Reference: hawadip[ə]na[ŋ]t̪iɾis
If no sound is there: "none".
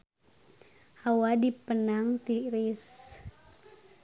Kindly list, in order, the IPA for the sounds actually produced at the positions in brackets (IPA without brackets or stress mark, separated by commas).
ə, ŋ